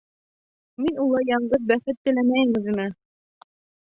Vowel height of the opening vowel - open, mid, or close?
close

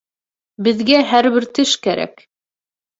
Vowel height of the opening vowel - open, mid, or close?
mid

